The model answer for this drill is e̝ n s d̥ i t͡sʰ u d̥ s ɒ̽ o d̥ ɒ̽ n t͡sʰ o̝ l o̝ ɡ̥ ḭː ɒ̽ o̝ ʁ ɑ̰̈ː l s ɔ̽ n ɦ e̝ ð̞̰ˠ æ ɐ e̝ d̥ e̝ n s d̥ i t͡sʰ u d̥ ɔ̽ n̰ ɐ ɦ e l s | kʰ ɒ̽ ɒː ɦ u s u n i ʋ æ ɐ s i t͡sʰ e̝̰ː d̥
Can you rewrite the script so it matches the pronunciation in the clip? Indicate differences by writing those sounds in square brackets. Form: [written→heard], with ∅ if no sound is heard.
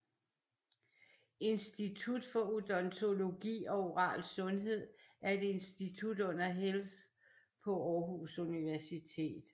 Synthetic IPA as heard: e̝ n s d̥ i t͡sʰ u d̥ [s→f] ɒ̽ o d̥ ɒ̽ n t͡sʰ o̝ l o̝ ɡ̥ ḭː ɒ̽ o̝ ʁ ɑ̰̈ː l s ɔ̽ n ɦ e̝ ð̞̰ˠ æ ɐ e̝ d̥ e̝ n s d̥ i t͡sʰ u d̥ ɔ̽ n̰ ɐ ɦ e l s | [kʰ→pʰ] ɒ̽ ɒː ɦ u s u n i ʋ æ ɐ s i t͡sʰ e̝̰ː d̥

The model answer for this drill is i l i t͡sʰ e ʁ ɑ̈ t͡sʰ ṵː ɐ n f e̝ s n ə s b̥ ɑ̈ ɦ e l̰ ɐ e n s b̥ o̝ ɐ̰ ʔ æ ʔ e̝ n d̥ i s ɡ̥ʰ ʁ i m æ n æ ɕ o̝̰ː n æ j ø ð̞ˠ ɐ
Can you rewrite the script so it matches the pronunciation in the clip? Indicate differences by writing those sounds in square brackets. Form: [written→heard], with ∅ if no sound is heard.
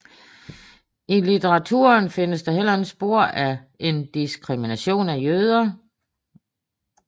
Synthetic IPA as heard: i l i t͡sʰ e ʁ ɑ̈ t͡sʰ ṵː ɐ n f e̝ [s→∅] n ə s [b̥→d̥] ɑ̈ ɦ e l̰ ɐ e n s b̥ o̝ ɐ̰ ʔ æ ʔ e̝ n d̥ i s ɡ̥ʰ ʁ i m [æ→i] n æ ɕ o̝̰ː n æ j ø ð̞ˠ ɐ

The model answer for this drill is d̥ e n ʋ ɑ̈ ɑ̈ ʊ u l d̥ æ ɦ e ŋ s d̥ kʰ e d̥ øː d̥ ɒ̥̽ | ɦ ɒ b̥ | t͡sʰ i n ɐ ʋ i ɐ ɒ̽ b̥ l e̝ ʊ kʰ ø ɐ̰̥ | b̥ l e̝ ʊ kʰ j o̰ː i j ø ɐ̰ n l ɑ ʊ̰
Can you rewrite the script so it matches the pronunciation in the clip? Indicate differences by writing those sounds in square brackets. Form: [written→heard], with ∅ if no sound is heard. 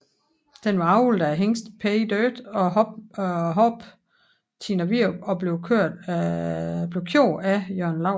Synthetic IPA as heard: d̥ e n ʋ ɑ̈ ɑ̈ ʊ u l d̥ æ ɦ e ŋ s d̥ [kʰ→pʰ] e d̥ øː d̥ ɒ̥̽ | ɦ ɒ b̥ | t͡sʰ i n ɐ ʋ i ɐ ɒ̽ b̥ l e̝ ʊ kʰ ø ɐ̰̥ | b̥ l e̝ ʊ kʰ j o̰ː [i→æ] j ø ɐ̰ n l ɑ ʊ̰

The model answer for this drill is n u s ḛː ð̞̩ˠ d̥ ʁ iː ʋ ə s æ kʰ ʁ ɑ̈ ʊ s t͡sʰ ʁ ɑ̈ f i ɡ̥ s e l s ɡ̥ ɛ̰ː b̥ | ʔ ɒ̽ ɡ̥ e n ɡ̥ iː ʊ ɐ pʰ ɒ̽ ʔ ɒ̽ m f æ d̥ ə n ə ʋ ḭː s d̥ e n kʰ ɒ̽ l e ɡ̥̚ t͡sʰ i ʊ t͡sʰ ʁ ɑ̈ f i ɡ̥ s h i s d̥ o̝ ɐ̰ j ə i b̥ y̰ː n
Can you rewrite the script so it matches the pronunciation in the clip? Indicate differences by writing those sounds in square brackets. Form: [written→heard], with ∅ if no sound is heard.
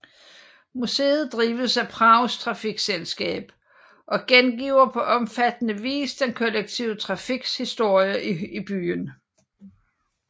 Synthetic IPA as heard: [n→m] u s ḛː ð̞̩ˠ d̥ ʁ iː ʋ ə s æ [kʰ→pʰ] ʁ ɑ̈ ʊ s t͡sʰ ʁ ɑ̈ f i ɡ̥ s e l s ɡ̥ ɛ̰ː b̥ | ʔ ɒ̽ ɡ̥ e n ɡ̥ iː ʊ ɐ pʰ ɒ̽ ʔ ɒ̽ m f æ d̥ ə n ə ʋ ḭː s d̥ e n kʰ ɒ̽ l e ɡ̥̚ t͡sʰ i ʊ t͡sʰ ʁ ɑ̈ f i ɡ̥ s h i s d̥ o̝ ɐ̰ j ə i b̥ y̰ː n

